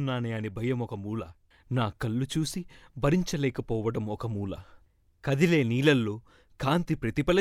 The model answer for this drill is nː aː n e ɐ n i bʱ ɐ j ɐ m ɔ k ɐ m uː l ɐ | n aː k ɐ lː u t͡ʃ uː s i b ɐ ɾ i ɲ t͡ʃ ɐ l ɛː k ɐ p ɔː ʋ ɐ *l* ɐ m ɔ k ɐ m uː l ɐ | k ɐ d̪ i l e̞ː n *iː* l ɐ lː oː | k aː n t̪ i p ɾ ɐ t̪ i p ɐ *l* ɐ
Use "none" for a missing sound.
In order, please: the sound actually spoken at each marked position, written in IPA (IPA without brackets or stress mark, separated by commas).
ɽ, iː, l